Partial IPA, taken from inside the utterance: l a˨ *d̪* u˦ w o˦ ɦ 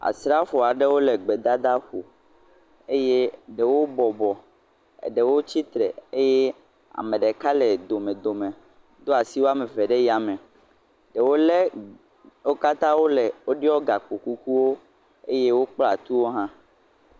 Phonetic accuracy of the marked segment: incorrect: t̪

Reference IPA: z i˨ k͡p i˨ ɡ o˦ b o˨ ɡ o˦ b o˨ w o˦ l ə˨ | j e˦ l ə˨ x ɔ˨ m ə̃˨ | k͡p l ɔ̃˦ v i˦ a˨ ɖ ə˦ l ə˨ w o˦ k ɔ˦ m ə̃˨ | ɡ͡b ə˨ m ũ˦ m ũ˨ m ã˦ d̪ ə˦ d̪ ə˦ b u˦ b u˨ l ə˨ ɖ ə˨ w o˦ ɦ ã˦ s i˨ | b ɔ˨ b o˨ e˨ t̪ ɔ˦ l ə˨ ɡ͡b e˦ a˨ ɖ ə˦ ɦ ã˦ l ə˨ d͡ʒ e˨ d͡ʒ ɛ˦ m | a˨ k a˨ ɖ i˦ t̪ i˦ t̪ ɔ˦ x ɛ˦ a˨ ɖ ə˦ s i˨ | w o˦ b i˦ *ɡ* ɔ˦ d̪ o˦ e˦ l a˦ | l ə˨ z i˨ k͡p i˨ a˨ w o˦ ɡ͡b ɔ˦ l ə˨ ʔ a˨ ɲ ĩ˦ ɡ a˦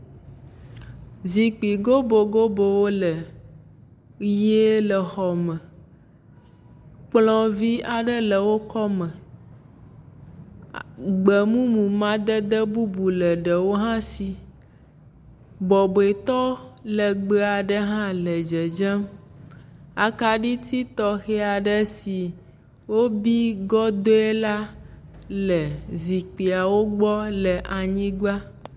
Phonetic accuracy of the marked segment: correct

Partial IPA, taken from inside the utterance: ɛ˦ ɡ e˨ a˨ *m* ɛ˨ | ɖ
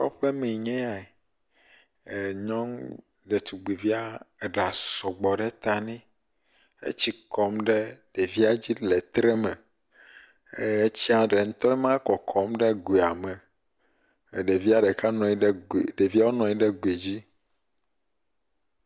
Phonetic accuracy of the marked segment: correct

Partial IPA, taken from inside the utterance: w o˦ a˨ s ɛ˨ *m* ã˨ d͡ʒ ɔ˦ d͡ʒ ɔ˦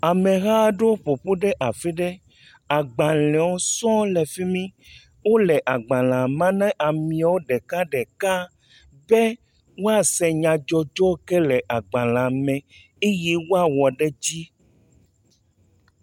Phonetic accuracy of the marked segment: incorrect: ɲ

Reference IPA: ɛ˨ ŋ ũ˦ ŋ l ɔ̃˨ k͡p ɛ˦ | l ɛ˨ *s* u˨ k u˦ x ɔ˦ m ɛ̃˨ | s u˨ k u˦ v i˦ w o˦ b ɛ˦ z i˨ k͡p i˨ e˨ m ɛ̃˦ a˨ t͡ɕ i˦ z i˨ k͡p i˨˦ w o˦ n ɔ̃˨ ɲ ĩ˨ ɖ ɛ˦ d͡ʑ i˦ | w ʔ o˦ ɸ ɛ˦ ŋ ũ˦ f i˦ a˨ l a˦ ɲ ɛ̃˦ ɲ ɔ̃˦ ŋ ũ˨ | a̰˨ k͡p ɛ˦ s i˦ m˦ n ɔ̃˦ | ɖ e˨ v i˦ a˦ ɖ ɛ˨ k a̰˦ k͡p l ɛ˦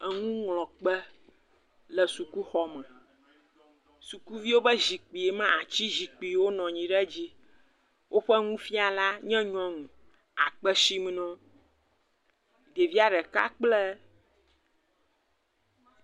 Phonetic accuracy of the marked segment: correct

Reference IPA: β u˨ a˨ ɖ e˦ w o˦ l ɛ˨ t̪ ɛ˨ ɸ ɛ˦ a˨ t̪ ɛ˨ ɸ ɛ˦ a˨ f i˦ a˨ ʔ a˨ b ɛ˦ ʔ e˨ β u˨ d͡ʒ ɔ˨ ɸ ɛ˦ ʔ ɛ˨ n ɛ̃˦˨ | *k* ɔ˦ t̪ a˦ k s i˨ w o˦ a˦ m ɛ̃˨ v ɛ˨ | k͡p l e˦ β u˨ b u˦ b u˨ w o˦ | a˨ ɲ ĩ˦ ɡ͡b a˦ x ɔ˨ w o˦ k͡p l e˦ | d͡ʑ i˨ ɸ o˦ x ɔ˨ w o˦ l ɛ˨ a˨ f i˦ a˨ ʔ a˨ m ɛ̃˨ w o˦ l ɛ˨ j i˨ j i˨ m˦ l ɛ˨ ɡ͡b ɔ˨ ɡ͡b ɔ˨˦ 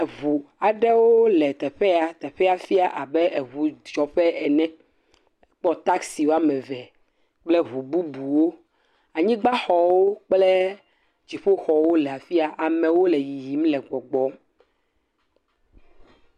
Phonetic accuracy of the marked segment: incorrect: k͡p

